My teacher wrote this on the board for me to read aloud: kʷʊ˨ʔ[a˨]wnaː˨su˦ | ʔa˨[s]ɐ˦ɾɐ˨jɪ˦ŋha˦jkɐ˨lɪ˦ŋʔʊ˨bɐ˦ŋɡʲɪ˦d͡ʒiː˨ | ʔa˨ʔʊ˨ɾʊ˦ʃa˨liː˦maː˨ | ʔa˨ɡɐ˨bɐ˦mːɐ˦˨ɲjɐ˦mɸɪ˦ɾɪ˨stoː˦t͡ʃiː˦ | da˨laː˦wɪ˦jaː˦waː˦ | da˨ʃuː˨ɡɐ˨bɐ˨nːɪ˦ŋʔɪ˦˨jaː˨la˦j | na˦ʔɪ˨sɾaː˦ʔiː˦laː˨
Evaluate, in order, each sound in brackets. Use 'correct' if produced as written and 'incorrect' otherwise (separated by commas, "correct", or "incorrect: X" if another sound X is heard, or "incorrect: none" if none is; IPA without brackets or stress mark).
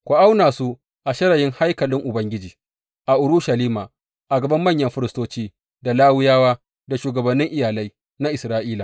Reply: incorrect: a˦, incorrect: ʃ